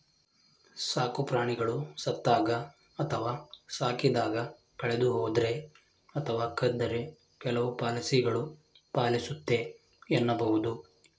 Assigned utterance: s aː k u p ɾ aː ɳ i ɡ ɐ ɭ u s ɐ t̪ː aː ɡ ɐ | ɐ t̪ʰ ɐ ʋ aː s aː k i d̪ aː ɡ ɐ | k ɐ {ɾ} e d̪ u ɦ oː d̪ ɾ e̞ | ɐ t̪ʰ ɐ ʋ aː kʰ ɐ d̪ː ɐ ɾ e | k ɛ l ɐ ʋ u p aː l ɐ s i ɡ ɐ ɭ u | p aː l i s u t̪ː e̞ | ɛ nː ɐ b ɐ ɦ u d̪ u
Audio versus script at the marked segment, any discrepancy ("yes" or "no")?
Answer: yes